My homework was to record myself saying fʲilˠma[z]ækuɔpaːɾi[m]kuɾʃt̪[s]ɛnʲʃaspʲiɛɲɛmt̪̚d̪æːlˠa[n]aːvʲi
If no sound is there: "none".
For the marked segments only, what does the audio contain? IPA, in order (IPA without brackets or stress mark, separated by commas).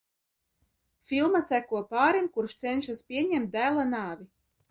s, m, s, n